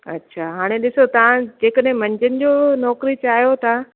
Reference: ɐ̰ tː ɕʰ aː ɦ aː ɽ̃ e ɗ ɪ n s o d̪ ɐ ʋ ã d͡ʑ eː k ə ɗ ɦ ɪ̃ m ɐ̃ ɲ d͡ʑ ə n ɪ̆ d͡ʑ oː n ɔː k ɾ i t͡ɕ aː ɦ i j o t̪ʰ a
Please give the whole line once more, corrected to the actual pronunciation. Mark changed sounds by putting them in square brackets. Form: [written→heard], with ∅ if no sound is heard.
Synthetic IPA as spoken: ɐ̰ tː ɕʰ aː ɦ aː ɽ̃ e ɗ ɪ [n→∅] s o [d̪→t̪] ɐ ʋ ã d͡ʑ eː k ə ɗ ɦ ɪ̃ m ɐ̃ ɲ d͡ʑ ə n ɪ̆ d͡ʑ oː n ɔː k ɾ i t͡ɕ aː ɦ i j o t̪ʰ a